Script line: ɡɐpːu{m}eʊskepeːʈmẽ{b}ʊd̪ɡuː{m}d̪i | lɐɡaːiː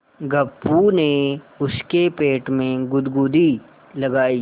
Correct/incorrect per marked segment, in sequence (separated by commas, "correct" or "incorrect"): incorrect, incorrect, incorrect